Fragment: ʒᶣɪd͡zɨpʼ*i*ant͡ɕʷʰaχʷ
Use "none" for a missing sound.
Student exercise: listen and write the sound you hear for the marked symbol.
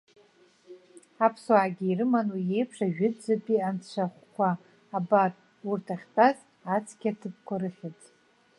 i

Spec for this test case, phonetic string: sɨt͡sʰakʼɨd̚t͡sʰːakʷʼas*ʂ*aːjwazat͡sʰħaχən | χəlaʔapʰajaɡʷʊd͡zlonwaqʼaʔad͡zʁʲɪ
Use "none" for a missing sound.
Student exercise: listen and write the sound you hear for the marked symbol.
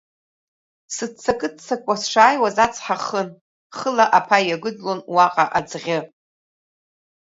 ʂ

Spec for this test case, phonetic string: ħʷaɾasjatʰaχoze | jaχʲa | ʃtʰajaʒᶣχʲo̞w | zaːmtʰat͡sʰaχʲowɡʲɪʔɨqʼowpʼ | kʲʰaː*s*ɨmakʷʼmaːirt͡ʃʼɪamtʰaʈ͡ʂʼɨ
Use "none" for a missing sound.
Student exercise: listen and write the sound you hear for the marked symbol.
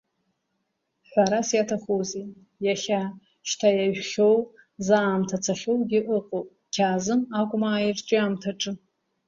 z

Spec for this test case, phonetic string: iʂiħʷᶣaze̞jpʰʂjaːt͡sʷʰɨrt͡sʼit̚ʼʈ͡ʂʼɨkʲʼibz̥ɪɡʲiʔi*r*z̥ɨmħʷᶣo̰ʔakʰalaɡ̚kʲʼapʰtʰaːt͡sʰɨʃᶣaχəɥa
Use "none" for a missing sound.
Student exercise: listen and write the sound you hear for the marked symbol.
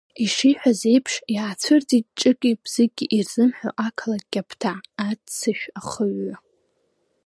r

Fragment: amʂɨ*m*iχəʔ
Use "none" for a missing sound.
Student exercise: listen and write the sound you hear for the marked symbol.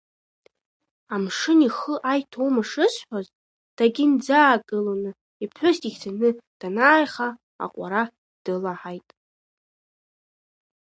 n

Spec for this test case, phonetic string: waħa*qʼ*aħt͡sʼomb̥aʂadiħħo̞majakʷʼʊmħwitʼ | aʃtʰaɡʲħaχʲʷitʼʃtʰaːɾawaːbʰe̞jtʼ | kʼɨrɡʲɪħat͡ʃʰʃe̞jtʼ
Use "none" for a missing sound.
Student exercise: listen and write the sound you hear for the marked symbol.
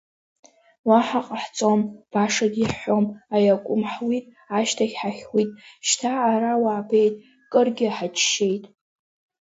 qʼ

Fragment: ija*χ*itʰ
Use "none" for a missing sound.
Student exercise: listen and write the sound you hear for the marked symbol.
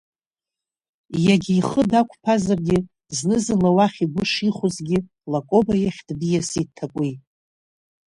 s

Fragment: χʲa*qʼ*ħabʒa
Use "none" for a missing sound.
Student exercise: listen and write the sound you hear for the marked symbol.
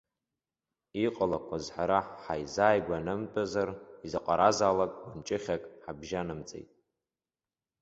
kʼ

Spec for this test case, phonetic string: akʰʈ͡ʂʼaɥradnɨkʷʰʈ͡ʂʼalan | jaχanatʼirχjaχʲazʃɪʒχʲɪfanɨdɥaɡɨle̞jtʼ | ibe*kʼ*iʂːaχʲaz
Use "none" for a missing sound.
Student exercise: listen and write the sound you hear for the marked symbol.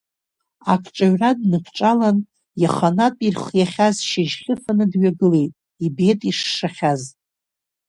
tʼ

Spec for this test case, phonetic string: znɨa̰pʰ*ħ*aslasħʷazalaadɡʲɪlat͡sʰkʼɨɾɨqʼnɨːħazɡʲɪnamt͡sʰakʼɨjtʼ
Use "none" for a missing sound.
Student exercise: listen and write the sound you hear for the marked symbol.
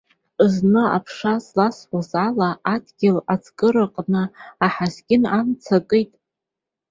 ʂ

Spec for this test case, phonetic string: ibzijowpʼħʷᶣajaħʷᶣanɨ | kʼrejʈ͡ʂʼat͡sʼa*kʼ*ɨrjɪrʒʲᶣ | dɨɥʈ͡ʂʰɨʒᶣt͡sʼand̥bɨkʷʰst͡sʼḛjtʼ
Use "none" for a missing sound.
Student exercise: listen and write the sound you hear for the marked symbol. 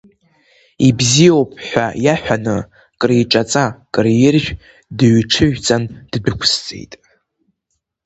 kʼ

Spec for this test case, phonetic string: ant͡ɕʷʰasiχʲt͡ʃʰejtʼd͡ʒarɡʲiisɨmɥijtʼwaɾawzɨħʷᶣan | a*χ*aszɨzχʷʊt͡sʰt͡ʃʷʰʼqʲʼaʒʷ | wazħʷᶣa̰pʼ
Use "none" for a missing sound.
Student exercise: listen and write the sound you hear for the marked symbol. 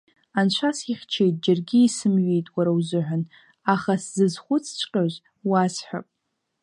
χ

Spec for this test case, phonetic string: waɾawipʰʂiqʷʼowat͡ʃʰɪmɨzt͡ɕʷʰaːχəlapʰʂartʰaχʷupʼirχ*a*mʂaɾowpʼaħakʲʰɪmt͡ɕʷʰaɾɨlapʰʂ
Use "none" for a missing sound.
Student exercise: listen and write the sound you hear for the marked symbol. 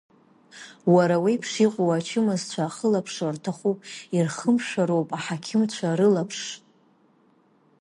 ə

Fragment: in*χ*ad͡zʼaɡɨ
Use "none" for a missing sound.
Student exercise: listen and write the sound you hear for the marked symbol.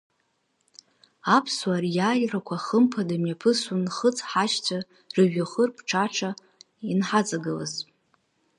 ħ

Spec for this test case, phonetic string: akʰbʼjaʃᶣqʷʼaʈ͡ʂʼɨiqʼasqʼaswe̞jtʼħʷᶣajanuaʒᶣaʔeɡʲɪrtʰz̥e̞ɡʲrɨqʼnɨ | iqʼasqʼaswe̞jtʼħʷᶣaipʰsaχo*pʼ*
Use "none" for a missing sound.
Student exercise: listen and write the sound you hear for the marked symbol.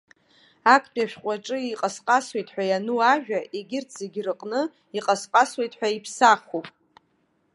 pʼ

